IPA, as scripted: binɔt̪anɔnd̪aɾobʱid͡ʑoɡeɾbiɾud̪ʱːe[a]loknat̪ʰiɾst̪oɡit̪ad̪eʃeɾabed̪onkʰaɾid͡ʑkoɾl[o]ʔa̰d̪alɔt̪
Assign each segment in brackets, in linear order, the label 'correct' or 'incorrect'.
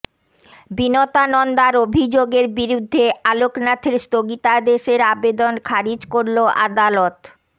correct, correct

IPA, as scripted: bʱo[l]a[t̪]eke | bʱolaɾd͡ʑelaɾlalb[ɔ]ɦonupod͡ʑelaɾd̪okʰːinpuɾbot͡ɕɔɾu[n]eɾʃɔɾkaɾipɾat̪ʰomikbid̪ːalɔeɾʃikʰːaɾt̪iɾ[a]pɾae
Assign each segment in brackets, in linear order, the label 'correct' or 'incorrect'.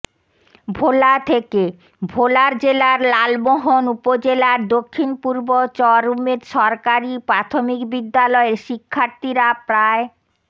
correct, incorrect: t̪ʰ, incorrect: o, incorrect: m, correct

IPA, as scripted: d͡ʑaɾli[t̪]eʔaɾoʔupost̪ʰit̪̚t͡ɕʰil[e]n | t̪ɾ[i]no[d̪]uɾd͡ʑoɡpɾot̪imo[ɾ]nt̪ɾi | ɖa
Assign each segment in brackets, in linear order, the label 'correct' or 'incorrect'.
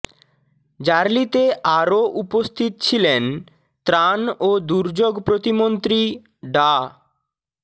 correct, correct, incorrect: a, correct, incorrect: none

